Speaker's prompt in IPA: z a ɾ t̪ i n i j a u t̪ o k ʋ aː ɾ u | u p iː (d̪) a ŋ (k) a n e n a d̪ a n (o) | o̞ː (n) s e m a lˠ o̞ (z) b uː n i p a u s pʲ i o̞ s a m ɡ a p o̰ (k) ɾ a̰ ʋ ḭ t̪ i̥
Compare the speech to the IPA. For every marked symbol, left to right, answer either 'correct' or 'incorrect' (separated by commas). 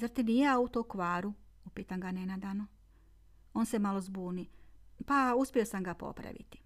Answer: incorrect, incorrect, correct, correct, correct, incorrect